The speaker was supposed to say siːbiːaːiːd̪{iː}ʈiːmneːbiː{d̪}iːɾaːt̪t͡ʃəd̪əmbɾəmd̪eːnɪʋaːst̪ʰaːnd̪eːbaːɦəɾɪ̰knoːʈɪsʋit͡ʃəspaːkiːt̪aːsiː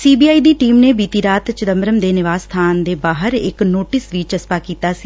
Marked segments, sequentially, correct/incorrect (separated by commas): correct, incorrect